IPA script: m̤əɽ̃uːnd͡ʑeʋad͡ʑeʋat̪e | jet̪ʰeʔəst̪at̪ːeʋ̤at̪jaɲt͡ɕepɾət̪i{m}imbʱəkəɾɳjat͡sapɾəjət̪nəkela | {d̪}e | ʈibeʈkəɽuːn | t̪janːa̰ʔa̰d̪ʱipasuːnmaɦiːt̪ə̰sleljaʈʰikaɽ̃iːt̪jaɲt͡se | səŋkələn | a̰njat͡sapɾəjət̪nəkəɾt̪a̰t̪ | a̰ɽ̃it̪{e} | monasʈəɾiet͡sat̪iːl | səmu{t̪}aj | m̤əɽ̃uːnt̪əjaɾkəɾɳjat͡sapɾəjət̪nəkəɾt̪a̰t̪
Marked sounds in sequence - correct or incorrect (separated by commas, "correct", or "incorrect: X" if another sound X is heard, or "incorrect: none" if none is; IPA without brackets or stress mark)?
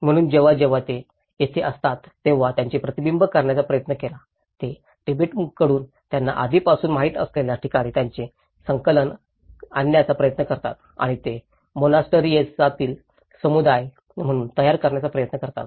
incorrect: b, incorrect: t̪, correct, incorrect: d̪